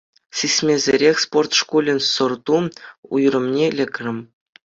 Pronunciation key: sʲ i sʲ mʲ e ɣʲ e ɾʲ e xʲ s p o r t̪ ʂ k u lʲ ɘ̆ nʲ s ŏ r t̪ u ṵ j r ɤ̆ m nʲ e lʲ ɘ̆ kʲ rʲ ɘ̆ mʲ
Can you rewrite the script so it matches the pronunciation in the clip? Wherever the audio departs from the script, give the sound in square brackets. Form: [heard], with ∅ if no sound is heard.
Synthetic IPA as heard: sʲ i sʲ mʲ e [zʲ] e ɾʲ e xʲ s p o r t̪ ʂ k u lʲ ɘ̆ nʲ s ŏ r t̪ u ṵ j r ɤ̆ m nʲ e lʲ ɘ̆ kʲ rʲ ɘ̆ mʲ